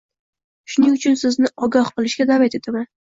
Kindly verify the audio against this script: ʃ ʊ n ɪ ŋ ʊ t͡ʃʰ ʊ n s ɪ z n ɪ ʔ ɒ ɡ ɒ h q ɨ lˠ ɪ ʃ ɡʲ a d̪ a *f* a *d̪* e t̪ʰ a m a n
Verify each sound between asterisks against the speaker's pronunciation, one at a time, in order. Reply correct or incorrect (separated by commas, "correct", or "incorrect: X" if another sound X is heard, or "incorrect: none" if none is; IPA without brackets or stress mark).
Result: incorrect: v, incorrect: t̪